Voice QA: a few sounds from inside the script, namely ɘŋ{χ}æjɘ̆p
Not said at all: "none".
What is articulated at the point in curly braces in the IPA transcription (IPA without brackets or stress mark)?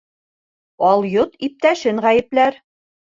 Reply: ʁ